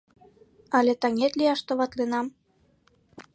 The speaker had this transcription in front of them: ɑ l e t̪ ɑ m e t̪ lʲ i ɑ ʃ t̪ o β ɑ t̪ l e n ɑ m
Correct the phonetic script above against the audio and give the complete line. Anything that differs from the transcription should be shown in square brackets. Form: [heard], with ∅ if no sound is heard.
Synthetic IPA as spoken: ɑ l e t̪ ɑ [ŋ] e t̪ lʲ i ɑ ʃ t̪ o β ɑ t̪ l e n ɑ m